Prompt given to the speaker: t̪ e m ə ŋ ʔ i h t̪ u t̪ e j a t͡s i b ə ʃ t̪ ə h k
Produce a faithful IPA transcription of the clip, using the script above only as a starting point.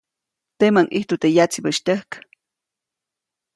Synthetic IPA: t̪ e m a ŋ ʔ i h t̪ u t̪ e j a t͡s i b ə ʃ t̪ ə h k